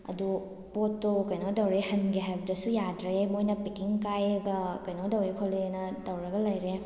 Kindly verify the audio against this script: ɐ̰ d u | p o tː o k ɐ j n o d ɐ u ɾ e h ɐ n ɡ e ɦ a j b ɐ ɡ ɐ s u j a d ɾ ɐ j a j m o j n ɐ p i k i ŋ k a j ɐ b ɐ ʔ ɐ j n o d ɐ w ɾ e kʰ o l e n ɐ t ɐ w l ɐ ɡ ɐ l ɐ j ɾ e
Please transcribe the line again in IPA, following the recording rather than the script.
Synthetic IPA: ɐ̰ d u | p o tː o k ɐ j n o d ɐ w ɾ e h ɐ n ɡ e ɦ a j b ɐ d ɐ s u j a d ɾ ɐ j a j m o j n ɐ p i k i ŋ k a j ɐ ɡ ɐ k ɐ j n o d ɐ w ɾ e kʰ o l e n ɐ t ɐ w ɾ ɐ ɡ ɐ l ɐ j ɾ e